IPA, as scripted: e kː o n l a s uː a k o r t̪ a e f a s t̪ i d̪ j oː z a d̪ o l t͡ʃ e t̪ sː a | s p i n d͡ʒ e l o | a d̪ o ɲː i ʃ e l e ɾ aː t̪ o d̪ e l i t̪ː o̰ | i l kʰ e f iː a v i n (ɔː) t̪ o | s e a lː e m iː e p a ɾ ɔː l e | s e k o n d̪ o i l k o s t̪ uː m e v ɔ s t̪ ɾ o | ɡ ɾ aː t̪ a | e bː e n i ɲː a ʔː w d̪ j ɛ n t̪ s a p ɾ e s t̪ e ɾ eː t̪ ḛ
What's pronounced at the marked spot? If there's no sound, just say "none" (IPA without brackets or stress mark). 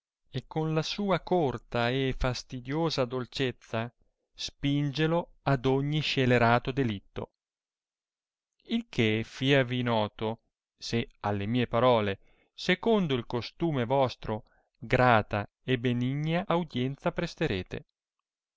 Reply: ɔː